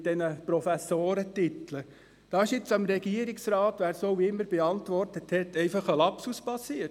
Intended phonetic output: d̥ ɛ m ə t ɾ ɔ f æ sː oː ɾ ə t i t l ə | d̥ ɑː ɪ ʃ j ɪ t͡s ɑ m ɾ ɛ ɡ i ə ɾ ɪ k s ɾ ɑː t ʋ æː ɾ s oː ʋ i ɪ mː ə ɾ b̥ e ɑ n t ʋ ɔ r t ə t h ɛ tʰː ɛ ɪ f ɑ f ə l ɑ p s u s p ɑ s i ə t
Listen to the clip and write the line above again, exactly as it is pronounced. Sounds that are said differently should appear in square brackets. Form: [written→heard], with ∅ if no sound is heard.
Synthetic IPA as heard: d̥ ɛ [m→n] ə [t→p] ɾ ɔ f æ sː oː ɾ ə t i t l ə | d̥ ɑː ɪ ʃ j ɪ t͡s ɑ m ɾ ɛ ɡ i ə ɾ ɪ k s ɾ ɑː t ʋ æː ɾ s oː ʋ i ɪ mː ə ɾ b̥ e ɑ n t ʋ ɔ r t ə t h ɛ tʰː ɛ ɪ f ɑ [f→χ] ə l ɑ p s u s p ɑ s i ə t

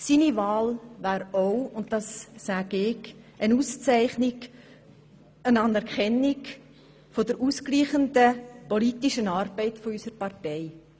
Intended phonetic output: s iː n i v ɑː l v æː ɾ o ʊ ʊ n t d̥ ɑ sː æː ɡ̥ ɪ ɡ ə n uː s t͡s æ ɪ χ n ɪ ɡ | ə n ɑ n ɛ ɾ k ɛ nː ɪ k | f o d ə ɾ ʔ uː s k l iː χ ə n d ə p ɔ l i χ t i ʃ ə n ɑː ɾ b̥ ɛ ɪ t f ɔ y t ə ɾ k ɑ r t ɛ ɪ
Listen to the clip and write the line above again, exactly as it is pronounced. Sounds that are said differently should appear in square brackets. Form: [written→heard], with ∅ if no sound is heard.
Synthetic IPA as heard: s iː n i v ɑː l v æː ɾ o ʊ ʊ n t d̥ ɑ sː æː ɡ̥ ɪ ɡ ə n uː s t͡s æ ɪ χ n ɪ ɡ | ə n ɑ n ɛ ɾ k ɛ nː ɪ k | f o d ə ɾ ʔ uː s k l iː χ ə n d ə p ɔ l i [χ→∅] t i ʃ ə n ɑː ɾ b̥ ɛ ɪ t f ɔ y [t→s] ə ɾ [k→p] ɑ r t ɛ ɪ

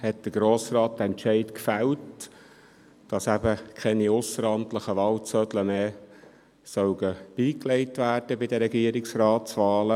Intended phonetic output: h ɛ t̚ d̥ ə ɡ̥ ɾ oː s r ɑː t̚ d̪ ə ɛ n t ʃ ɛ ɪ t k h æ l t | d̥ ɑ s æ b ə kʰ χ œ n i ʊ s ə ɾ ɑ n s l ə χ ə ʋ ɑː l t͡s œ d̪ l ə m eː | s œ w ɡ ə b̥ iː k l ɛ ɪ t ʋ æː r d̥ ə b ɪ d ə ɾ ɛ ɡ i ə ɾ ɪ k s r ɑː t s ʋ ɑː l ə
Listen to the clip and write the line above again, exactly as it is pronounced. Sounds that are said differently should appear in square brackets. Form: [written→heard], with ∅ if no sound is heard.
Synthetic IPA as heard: h ɛ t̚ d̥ ə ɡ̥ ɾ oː s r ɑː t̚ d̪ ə ɛ n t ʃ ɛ ɪ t k [h→f] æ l t | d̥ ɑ s æ b ə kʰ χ [œ→ɛ] n i ʊ s ə ɾ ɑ n [s→t] l ə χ ə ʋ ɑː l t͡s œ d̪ l ə m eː | s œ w ɡ ə b̥ iː k l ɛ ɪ t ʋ æː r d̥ ə b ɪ d ə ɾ ɛ ɡ i ə ɾ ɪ k s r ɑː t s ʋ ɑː l ə

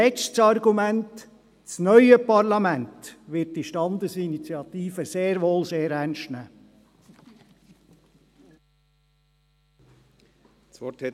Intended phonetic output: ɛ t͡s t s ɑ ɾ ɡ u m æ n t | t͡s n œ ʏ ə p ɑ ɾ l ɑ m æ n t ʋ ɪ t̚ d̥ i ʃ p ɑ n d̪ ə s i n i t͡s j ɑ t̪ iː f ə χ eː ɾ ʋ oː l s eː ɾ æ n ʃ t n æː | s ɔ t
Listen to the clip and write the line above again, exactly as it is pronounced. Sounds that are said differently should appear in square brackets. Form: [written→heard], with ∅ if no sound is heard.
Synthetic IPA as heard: ɛ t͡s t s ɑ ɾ ɡ u m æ n t | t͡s n œ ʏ ə p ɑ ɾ l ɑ m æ n t ʋ ɪ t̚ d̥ i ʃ [p→t] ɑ n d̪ ə s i n i t͡s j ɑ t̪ iː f ə [χ→s] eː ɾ ʋ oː l s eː ɾ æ n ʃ t n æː | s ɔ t

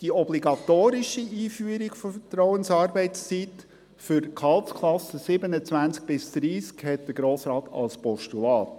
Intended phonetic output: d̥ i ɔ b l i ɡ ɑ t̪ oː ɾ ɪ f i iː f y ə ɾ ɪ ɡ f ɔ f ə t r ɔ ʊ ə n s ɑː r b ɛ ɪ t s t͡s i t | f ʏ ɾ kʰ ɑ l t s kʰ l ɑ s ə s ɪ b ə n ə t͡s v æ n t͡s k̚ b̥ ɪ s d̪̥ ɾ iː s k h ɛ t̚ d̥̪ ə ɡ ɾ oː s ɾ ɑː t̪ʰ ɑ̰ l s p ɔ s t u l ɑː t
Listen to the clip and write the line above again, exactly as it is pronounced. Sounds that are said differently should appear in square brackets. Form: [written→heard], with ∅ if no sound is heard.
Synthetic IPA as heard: d̥ i ɔ b l i ɡ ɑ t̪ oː ɾ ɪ [f→ʃ] i iː f y ə ɾ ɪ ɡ f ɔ f ə t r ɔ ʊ ə n s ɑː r b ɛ ɪ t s t͡s i t | f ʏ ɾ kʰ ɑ l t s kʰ l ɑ s ə s ɪ b ə n ə t͡s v æ n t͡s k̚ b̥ ɪ s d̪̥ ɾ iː s k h ɛ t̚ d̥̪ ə ɡ ɾ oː s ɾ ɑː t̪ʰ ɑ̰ l s p ɔ [s→ʃ] t u l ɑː t

